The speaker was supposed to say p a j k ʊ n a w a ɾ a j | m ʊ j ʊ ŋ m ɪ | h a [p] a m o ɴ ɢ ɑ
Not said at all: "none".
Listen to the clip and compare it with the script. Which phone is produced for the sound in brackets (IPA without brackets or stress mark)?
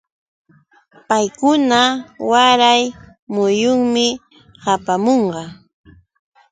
p